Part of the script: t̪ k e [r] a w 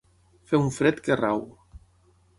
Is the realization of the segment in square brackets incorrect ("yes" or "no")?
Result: no